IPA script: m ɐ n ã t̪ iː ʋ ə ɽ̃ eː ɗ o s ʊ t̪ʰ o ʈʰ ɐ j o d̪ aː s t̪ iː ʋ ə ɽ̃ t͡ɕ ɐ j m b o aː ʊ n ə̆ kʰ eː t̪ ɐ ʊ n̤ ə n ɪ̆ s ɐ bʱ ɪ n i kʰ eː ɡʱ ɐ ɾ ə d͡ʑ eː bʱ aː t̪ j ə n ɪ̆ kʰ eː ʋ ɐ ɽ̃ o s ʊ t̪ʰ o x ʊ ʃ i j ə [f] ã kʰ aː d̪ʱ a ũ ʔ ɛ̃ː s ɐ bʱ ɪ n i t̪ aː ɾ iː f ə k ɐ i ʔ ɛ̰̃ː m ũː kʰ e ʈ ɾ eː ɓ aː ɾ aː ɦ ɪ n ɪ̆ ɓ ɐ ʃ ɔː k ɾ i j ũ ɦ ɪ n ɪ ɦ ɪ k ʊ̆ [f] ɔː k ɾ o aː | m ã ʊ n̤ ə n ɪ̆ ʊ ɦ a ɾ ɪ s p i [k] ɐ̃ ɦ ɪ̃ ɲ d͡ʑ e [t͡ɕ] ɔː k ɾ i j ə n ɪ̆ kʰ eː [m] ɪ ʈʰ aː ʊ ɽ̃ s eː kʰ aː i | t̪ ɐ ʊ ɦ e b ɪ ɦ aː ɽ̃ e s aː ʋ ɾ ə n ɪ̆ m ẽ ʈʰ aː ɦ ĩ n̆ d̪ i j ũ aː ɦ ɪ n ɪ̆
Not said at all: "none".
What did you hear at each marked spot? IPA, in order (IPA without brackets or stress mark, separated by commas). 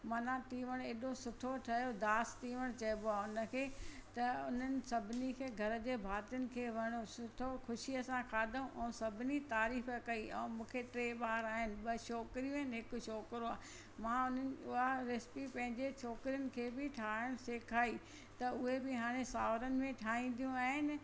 s, ʃ, p, t͡ɕʰ, b